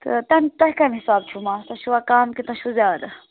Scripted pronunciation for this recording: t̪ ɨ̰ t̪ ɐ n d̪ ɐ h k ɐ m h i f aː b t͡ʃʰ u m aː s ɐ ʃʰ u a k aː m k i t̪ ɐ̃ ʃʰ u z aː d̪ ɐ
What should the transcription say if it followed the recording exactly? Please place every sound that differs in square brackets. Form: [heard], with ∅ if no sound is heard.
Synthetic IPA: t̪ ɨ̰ t̪ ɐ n [t̪] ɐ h k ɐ m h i [s] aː b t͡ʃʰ u m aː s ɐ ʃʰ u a k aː m k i t̪ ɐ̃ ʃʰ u z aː d̪ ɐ